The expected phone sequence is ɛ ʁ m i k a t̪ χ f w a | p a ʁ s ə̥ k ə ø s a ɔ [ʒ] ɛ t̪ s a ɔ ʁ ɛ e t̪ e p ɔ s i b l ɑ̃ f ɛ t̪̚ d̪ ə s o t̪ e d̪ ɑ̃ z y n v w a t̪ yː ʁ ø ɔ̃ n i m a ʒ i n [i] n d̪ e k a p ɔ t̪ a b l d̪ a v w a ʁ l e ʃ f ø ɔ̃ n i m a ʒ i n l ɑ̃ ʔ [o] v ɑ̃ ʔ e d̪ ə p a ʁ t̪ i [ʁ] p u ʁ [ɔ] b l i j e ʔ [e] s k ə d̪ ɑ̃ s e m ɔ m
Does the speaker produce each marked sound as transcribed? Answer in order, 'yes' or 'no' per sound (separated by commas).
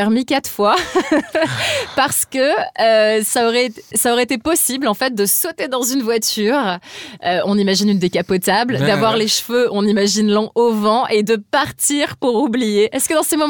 no, no, yes, yes, no, no